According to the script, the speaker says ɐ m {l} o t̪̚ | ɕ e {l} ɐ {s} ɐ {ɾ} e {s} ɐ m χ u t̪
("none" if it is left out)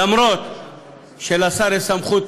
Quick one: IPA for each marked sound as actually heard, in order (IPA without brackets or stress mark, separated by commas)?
ɾ, l, s, ɾ, s